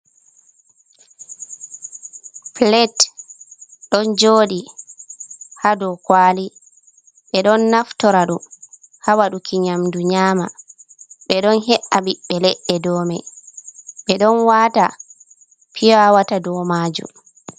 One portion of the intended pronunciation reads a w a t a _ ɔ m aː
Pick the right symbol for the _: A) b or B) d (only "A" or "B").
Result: B